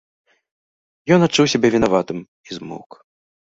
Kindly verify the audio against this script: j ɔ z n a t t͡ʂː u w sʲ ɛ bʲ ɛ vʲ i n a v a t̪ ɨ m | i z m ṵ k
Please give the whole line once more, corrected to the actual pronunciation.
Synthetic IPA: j ɔ n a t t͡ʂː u w sʲ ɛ bʲ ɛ vʲ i n a v a t̪ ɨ m | i z m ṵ k